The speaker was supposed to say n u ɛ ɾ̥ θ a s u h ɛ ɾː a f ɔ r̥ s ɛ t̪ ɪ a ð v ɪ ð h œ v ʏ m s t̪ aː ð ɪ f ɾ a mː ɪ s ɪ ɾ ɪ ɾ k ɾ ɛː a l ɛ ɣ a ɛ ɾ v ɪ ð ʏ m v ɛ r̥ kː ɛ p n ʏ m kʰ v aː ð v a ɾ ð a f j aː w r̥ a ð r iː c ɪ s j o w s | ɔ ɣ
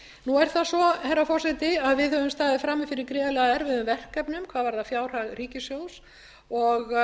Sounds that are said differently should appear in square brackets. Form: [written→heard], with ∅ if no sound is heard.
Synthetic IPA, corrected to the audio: n u ɛ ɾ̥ θ a s [u→ɔ] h ɛ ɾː a f ɔ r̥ s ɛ t̪ ɪ a ð v ɪ ð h œ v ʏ m s t̪ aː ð ɪ f ɾ a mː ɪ [s→f] ɪ ɾ ɪ ɾ k ɾ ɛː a l ɛ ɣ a ɛ ɾ v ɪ ð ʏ m v ɛ r̥ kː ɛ p n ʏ m kʰ v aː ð v a ɾ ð a f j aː w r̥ a [ð→ɣ] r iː c ɪ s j o w s | ɔ ɣ

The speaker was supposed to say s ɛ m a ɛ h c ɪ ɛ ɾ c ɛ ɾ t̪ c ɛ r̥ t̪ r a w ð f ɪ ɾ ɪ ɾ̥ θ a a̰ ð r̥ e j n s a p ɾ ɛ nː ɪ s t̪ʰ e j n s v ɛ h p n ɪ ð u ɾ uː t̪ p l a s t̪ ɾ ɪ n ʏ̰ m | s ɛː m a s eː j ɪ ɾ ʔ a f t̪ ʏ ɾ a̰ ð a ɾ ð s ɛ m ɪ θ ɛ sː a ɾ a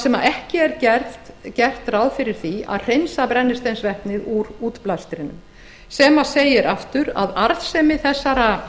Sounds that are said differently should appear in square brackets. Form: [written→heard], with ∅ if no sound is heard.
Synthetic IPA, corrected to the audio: s ɛ m a ɛ h c ɪ ɛ ɾ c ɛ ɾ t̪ c ɛ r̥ t̪ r a w ð f ɪ ɾ ɪ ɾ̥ θ [a→i] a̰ ð r̥ e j n s a p ɾ ɛ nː ɪ s [t̪ʰ→t̪] e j n s v ɛ h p n ɪ ð u ɾ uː t̪ p l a s t̪ ɾ ɪ n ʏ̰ m | s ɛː m a s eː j ɪ ɾ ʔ a f t̪ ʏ ɾ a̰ ð a ɾ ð s ɛ m ɪ θ ɛ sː a ɾ a

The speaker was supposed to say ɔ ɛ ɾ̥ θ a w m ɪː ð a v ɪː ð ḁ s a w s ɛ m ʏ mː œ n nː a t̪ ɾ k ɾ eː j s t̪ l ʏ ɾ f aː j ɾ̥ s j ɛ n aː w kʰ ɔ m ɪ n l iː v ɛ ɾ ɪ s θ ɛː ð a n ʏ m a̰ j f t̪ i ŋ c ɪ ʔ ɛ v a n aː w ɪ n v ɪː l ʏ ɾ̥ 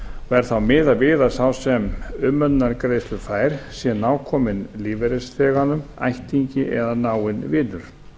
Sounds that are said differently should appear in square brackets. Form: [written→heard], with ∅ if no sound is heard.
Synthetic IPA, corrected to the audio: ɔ ɛ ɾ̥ θ a w m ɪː ð a v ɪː ð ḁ s a w s ɛ m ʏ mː œ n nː a [t̪→∅] ɾ k ɾ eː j s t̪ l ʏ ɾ f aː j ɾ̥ s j ɛ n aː w kʰ ɔ m ɪ n l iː v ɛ ɾ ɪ s θ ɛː [ð→ɣ] a n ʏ m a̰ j [f→h] t̪ i [ŋ→ɲ] c ɪ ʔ ɛ [v→ð] a n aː w ɪ n v ɪː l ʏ ɾ̥

